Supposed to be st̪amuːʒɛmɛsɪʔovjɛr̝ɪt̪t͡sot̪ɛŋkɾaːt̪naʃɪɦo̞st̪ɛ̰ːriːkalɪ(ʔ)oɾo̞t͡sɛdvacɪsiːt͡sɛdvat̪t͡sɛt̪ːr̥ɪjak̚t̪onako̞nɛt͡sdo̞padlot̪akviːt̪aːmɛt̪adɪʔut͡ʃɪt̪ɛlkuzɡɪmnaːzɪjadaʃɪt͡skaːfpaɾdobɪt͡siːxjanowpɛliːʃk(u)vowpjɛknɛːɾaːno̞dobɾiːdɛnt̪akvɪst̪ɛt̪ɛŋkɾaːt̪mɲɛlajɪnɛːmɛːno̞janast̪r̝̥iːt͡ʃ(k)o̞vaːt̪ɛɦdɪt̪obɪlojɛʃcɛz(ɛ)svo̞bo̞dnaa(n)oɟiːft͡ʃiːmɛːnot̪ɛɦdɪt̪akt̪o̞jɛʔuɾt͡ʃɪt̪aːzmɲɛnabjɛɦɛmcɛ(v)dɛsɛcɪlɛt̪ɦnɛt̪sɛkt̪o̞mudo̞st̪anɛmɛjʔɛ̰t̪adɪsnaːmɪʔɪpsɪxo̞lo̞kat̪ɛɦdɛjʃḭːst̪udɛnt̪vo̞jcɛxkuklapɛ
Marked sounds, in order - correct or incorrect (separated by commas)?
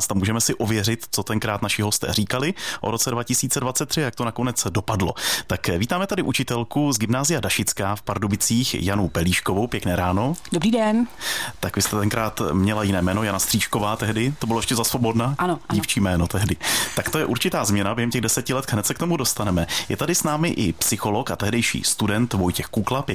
correct, incorrect, correct, incorrect, correct, incorrect